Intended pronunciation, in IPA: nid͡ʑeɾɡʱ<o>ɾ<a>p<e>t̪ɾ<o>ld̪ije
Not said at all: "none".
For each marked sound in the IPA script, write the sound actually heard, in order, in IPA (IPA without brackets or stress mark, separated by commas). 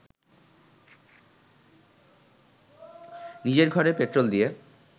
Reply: ɔ, e, e, o